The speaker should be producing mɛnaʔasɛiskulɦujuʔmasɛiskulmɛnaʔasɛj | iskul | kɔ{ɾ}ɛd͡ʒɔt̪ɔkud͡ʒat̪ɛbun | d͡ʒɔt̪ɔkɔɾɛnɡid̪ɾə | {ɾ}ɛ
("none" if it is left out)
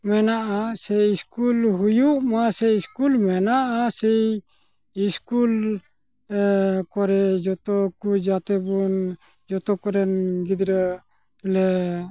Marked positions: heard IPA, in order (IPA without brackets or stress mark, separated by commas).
ɾ, l